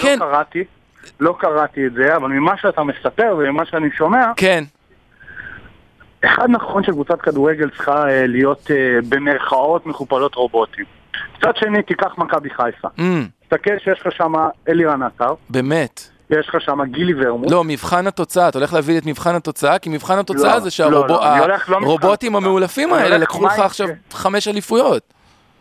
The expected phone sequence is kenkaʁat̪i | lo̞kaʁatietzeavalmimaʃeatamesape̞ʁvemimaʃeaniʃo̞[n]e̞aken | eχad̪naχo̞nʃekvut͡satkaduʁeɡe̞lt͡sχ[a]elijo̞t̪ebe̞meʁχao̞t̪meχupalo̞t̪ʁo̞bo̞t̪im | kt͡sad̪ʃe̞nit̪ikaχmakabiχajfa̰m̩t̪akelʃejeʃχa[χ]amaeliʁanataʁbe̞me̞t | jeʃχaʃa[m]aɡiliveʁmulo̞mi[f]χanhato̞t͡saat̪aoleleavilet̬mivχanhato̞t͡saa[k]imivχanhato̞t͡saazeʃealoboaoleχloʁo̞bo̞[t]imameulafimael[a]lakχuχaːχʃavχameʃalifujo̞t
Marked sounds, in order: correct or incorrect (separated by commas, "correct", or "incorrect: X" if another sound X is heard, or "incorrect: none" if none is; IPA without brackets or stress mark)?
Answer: incorrect: m, correct, incorrect: ʃ, correct, incorrect: v, correct, correct, incorrect: e